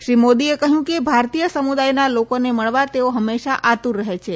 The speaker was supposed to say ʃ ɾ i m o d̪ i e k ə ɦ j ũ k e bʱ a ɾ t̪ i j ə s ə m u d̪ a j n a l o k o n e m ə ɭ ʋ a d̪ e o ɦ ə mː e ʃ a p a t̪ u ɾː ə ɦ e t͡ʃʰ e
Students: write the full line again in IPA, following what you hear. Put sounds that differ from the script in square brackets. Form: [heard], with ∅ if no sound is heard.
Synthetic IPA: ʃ ɾ i m o d̪ i e k ə ɦ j ũ k e bʱ a ɾ t̪ i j ə s ə m u d̪ a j n a l o k o n e m ə ɭ ʋ a [t̪] e o ɦ ə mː e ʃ a [ʔ] a t̪ u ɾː ə ɦ e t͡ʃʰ e

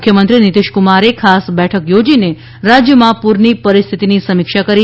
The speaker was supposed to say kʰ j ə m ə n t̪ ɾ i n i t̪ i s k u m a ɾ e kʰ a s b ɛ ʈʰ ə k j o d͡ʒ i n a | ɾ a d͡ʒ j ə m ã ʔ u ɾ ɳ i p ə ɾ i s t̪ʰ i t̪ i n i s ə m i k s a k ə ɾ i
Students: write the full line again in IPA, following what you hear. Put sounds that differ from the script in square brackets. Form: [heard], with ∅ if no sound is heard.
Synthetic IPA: kʰ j ə m ə n t̪ ɾ i n i t̪ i [ʃ] k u m a ɾ e kʰ a s b ɛ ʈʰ ə k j o d͡ʒ i n [e] | ɾ a d͡ʒ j ə m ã [p] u ɾ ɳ i p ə ɾ i s t̪ʰ i t̪ i n i s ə m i k [ʃ] a k ə ɾ i

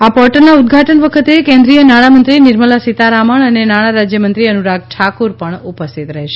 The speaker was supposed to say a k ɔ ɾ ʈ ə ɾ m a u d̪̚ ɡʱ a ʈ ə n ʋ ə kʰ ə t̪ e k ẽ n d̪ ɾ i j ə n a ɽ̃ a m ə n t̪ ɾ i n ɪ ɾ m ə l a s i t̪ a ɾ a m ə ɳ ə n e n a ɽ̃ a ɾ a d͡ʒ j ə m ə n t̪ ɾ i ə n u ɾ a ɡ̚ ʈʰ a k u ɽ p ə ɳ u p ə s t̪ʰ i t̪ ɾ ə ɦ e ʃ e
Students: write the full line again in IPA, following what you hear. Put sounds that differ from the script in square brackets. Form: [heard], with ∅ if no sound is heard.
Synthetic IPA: a [p] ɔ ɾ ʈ ə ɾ [n] a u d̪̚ ɡʱ a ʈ ə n ʋ ə kʰ ə t̪ e k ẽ n d̪ ɾ i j ə n a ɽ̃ a m ə n t̪ ɾ i n ɪ ɾ m ə l a s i t̪ a ɾ a m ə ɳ ə n e n a ɽ̃ a ɾ a d͡ʒ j ə m ə n t̪ ɾ i ə n u ɾ a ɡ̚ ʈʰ a k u [ɾ] p ə ɳ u p ə s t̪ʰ i t̪ ɾ ə ɦ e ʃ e

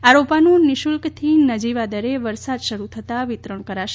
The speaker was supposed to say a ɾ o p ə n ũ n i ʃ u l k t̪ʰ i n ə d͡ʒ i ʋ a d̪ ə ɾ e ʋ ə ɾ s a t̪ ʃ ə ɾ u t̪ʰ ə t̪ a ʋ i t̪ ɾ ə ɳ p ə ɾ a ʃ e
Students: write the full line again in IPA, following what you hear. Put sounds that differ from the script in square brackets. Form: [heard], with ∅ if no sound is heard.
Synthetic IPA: a ɾ o p [a] n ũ n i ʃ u l k t̪ʰ i n ə d͡ʒ i ʋ a d̪ ə ɾ e ʋ ə ɾ s a [d̪] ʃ ə ɾ u t̪ʰ ə t̪ a ʋ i t̪ ɾ ə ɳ [k] ə ɾ a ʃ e

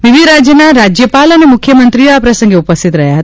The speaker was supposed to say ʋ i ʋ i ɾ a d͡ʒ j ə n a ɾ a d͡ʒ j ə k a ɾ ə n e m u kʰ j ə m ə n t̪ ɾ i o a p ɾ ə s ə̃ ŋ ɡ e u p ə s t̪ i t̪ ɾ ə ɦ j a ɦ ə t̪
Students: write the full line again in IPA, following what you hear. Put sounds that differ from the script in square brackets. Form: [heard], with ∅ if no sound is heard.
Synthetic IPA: ʋ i ʋ i ɾ a d͡ʒ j ə n a ɾ a d͡ʒ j ə [p] a [l] ə n e m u kʰ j ə m ə n t̪ ɾ i o a p ɾ ə s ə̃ ŋ ɡ e u p ə s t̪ i t̪ ɾ ə ɦ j a ɦ ə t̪

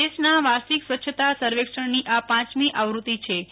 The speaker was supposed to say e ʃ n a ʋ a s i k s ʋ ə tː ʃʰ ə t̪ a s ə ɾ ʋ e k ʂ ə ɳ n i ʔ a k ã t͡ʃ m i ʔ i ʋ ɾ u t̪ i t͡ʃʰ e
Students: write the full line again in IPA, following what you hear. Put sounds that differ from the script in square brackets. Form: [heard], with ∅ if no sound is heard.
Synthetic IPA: e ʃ n a ʋ a s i k s ʋ ə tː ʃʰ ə t̪ a s ə ɾ ʋ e k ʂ ə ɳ n i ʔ a [p] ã t͡ʃ m i ʔ [a] ʋ ɾ u t̪ i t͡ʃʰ e

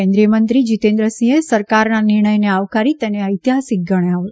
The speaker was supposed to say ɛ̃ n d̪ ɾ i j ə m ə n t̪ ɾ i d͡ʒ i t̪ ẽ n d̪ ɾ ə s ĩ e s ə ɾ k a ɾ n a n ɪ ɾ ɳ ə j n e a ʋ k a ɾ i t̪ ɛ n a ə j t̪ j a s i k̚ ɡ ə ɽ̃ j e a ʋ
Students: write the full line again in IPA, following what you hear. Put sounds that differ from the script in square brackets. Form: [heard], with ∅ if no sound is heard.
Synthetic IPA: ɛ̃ n d̪ ɾ i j ə m ə n t̪ ɾ i d͡ʒ i t̪ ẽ n d̪ ɾ ə s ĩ e s ə ɾ k a ɾ n a n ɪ ɾ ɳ ə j n e a ʋ k a ɾ i t̪ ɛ n [e] ə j t̪ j a s i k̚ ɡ ə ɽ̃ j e a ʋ

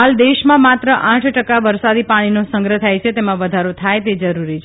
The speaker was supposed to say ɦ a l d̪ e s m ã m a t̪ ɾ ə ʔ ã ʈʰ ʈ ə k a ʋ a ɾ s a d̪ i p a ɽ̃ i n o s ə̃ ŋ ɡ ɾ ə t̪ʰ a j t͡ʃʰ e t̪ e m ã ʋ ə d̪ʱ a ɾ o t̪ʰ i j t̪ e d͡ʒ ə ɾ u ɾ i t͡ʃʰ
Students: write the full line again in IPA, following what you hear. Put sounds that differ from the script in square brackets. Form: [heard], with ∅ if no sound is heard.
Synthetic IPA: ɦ a l d̪ e [ʃ] m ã m a t̪ ɾ ə ʔ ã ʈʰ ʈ ə k a ʋ [ə] ɾ s a d̪ i p a ɽ̃ i n o s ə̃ ŋ ɡ ɾ ə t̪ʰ a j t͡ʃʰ e t̪ e m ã ʋ ə d̪ʱ a ɾ o t̪ʰ [a] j t̪ e d͡ʒ ə ɾ u ɾ i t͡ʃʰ

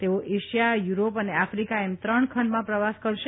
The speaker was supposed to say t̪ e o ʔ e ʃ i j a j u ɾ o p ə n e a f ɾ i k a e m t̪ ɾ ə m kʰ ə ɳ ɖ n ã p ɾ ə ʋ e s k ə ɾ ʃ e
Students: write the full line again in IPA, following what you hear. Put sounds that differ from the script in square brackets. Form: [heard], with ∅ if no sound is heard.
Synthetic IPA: t̪ e o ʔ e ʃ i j a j u ɾ o p ə n e a f ɾ i k a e m t̪ ɾ ə [ɳ] kʰ ə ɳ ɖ [m] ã p ɾ ə ʋ [a] s k ə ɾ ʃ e

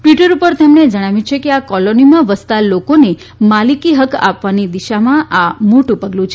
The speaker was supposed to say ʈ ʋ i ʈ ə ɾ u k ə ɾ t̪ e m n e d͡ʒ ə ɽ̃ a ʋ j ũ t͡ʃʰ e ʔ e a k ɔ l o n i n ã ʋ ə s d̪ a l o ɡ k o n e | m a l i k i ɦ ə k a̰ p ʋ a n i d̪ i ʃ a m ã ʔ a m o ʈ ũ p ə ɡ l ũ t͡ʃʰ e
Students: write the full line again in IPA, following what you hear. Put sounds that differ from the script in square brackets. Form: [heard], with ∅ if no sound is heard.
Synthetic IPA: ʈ ʋ i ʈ ə ɾ u [p] ə ɾ t̪ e m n e d͡ʒ ə ɽ̃ a ʋ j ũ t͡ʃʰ e [k] e a k ɔ l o n i [m] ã ʋ ə s [t̪] a l o [∅] k o n e | m a l i k i ɦ ə k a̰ p ʋ a n i d̪ i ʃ a m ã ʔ a m o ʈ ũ p ə ɡ l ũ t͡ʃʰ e

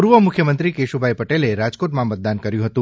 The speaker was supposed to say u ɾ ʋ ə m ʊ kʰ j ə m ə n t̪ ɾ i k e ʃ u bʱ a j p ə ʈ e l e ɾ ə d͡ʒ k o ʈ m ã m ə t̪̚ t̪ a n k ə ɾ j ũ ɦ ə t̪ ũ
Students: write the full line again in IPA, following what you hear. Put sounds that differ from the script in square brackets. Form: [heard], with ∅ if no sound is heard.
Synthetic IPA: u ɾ ʋ ə m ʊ kʰ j ə m ə n t̪ ɾ i k e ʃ u bʱ a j p ə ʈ e l e ɾ [a] d͡ʒ k o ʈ m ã m ə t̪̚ [d̪] a n k ə ɾ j ũ ɦ ə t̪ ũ

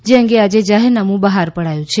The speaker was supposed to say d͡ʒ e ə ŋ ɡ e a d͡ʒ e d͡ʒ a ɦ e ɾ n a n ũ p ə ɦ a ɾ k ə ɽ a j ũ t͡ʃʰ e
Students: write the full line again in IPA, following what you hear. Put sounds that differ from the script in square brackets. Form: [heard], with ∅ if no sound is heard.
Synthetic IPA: d͡ʒ e ə ŋ ɡ e a d͡ʒ e d͡ʒ a ɦ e ɾ n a [m] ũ [b] ə ɦ a ɾ [p] ə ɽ a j ũ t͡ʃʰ e

